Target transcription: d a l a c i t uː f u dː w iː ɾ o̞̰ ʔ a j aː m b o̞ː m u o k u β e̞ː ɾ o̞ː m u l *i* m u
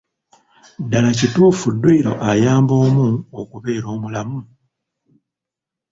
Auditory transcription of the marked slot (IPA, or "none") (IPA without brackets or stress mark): a